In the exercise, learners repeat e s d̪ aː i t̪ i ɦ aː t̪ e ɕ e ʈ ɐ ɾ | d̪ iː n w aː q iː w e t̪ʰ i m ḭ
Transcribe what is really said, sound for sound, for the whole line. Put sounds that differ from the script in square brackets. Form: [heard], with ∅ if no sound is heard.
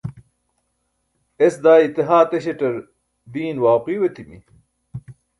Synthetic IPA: e s d̪ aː i t̪ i ɦ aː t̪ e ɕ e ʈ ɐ ɾ | d̪ iː n w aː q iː w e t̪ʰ i m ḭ